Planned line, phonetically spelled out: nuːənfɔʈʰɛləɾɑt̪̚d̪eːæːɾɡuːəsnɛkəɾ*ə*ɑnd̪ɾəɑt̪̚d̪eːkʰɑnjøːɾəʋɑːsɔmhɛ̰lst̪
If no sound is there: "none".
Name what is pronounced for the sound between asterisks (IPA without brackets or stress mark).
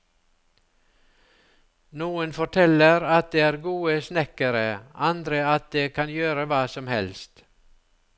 ə